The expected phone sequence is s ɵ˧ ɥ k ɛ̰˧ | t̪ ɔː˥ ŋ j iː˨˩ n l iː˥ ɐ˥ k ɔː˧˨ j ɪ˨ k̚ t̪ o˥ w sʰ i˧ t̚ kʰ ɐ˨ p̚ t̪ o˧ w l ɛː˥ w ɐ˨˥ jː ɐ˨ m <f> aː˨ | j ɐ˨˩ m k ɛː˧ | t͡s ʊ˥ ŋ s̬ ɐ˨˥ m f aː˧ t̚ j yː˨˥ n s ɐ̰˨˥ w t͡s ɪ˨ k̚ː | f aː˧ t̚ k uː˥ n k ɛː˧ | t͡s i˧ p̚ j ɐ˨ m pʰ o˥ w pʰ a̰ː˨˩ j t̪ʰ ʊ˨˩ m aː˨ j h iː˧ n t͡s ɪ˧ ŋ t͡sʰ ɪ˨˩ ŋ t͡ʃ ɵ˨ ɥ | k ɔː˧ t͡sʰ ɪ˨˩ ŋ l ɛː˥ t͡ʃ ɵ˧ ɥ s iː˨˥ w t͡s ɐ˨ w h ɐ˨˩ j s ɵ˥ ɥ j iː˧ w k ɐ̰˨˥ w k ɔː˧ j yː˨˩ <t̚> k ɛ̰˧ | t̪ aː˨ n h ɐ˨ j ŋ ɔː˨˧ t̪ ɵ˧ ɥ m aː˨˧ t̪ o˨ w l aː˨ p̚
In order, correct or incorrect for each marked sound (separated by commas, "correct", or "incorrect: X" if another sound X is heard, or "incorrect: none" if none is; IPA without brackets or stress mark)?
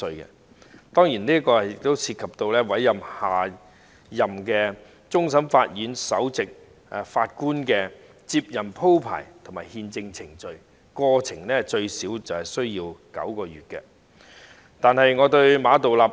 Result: incorrect: h, correct